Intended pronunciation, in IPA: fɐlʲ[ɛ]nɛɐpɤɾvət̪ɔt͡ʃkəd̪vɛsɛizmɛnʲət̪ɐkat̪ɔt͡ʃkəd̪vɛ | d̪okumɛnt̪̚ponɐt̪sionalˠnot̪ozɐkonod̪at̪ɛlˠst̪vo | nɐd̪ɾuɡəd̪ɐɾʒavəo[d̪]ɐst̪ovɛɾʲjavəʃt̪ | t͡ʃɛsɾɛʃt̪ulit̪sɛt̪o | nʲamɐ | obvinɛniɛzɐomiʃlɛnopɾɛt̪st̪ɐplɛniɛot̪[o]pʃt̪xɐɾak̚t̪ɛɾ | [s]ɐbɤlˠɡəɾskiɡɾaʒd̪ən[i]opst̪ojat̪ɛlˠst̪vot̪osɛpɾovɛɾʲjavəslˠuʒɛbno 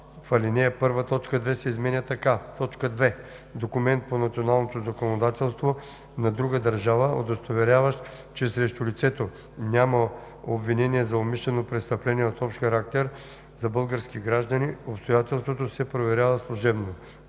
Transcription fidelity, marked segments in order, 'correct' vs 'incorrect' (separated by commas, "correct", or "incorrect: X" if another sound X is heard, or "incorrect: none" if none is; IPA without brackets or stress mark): incorrect: i, correct, incorrect: ɔ, incorrect: z, correct